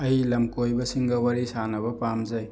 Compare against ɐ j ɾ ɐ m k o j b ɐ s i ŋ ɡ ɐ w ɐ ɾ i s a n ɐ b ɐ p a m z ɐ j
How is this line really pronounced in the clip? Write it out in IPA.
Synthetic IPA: ɐ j l ɐ m k o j b ɐ s i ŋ ɡ ɐ w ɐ ɾ i s a n ɐ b ɐ p a m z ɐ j